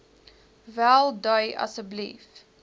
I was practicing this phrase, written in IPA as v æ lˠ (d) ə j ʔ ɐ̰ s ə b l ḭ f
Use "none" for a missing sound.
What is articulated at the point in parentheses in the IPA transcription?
d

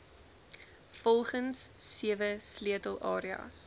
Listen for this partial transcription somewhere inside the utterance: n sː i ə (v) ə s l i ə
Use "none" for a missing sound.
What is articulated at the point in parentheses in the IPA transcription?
v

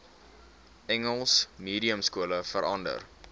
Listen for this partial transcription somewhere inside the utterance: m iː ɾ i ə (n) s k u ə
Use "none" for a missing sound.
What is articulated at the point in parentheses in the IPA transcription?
m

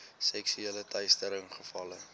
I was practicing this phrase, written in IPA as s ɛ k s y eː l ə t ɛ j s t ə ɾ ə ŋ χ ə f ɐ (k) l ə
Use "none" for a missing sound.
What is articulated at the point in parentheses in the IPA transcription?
none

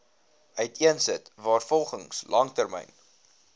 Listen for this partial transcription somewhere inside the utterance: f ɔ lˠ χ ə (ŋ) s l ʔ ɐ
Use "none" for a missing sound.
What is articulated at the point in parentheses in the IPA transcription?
ŋ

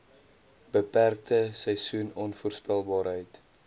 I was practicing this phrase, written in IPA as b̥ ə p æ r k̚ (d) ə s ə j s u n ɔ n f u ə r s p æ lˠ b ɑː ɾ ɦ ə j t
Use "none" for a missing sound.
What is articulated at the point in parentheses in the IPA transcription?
t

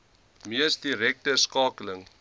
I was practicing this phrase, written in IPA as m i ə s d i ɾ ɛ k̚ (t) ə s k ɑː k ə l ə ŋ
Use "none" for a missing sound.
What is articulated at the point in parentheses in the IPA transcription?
t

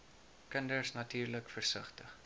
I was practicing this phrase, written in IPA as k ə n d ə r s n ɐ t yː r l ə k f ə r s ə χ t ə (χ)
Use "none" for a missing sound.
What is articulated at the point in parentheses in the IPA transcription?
χ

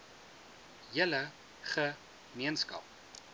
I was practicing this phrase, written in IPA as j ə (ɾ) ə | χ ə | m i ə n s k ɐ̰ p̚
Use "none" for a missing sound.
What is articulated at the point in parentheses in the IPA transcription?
l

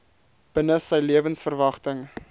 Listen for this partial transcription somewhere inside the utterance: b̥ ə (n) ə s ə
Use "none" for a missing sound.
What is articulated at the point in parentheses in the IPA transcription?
n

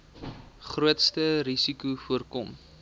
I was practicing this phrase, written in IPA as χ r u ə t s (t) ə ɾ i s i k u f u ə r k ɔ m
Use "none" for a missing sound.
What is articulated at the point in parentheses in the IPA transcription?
t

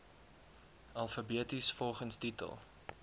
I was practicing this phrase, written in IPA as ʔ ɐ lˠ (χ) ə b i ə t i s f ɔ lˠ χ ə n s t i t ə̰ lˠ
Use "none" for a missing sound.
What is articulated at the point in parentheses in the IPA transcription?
f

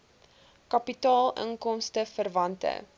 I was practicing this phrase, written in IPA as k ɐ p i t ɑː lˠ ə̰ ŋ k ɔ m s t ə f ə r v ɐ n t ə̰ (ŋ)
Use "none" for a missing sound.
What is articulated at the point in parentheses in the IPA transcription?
none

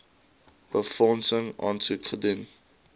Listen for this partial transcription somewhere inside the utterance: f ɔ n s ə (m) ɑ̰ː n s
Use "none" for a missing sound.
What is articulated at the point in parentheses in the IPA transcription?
ŋ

